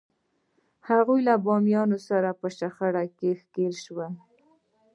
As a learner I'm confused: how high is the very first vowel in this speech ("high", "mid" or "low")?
low